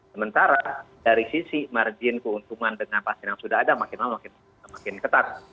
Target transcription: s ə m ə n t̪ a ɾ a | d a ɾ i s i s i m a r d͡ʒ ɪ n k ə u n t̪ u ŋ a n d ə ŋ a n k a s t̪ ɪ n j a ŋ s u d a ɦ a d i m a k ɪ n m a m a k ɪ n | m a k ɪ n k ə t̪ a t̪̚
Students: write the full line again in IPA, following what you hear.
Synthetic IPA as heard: s ə m ə n t̪ a ɾ a | d a ɾ i s i s i m a r d͡ʒ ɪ n k ə u n t̪ u ŋ a n d ə ŋ a n p a s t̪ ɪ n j a ŋ s u d a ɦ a d a m a k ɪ n m a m a k ɪ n | m a k ɪ n k ə t̪ a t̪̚